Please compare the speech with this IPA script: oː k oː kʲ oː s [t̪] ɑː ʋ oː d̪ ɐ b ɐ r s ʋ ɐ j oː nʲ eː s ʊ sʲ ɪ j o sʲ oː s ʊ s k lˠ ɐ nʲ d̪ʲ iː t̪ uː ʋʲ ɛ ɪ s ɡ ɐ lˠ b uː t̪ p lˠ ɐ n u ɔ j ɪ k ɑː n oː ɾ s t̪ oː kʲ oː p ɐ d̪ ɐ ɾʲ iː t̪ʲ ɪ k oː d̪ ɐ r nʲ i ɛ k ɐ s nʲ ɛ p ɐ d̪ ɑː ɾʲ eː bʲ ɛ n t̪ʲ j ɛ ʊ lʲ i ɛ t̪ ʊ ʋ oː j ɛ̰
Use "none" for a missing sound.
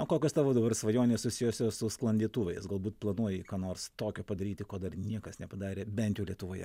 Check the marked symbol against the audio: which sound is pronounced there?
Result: t̪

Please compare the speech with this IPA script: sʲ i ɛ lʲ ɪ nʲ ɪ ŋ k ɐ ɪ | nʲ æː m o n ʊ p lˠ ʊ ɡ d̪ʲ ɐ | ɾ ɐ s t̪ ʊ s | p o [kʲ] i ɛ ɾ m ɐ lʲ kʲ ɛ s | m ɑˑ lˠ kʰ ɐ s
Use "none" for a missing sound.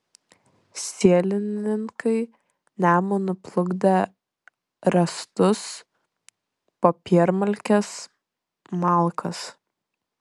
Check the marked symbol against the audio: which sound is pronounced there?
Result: pʲ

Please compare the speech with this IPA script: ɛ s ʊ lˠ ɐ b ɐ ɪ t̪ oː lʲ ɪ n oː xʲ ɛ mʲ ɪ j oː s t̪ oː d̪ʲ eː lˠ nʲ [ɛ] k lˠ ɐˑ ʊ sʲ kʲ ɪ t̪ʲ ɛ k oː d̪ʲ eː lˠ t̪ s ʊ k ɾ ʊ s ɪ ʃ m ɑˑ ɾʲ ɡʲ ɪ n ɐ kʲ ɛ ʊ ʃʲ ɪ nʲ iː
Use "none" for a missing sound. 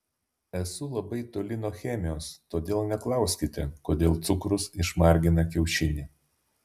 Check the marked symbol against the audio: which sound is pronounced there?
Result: ɛ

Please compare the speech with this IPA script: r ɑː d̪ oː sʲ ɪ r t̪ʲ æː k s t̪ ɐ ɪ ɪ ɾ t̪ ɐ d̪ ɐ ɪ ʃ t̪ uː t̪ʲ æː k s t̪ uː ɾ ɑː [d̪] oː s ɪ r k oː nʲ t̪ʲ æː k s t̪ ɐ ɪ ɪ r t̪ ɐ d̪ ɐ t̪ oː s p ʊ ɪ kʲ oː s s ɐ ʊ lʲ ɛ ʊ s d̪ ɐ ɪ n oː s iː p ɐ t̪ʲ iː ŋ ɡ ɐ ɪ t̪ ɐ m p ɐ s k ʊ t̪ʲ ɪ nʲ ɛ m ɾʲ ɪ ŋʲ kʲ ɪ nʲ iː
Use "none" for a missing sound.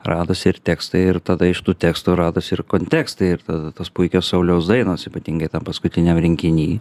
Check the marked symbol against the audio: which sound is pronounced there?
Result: d̪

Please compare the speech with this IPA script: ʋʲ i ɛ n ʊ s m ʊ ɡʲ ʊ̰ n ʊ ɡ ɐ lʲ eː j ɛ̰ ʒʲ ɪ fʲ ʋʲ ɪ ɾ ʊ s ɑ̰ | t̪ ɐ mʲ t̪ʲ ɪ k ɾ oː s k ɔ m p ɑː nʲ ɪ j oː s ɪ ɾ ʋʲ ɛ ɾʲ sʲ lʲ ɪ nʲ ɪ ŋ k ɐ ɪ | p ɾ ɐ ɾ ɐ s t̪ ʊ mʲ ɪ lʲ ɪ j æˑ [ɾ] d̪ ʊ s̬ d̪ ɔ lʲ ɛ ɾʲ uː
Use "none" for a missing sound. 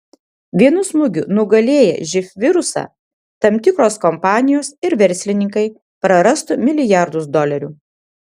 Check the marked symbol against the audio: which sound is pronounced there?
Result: ɾ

